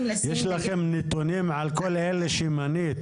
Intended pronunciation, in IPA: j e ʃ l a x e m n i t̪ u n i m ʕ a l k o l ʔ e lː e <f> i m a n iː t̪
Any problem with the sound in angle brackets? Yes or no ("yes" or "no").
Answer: yes